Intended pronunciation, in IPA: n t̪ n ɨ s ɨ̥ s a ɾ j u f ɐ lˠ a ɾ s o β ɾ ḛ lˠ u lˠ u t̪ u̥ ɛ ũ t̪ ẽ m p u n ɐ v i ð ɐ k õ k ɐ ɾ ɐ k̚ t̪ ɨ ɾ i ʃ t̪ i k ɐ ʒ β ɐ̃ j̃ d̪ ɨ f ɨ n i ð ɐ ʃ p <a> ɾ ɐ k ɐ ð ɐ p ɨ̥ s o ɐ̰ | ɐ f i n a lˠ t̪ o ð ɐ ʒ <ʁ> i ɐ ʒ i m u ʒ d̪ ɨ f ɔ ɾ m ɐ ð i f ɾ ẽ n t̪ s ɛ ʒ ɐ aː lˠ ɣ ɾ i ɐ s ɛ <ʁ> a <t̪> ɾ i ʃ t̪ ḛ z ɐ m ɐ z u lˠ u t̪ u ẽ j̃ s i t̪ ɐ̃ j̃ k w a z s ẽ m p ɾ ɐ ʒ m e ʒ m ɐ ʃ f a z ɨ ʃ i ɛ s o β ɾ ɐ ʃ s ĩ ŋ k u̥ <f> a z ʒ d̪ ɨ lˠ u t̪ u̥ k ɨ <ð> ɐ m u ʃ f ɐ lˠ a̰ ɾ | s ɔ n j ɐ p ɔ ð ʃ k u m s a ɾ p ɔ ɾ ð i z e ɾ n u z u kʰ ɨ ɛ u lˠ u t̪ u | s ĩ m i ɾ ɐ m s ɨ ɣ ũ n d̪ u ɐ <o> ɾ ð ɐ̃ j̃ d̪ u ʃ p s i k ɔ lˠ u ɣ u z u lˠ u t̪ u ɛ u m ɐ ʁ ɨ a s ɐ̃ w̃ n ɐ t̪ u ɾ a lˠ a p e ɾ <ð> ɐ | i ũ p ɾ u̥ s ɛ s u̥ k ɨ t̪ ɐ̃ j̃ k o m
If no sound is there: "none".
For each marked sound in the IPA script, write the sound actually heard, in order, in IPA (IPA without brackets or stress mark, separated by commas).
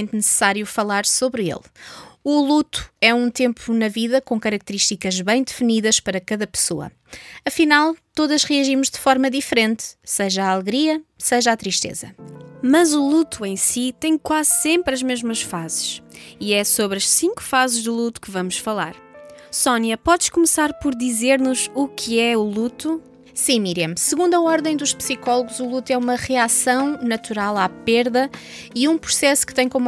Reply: ɐ, ʁ, ʒ, t̪, f, v, ɔ, ð